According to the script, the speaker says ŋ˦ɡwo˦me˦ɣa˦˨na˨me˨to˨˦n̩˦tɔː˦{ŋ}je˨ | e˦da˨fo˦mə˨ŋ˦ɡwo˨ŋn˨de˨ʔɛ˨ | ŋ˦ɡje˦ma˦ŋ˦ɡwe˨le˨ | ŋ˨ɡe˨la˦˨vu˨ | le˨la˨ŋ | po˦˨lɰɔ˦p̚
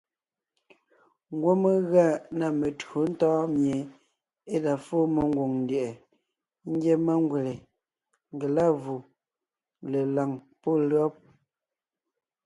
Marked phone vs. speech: incorrect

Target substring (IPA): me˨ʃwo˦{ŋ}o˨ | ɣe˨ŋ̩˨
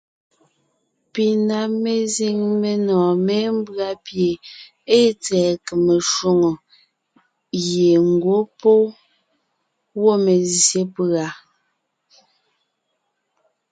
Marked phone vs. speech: correct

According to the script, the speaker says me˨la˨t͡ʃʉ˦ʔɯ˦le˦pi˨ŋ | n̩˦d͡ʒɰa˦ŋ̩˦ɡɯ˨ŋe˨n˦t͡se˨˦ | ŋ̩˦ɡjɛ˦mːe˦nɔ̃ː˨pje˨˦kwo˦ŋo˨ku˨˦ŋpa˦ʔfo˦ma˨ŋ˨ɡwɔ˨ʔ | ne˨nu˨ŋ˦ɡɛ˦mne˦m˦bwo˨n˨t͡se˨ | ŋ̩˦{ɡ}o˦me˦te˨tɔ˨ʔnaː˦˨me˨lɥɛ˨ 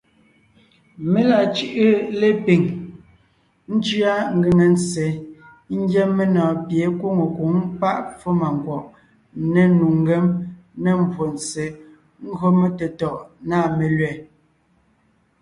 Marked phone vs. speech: correct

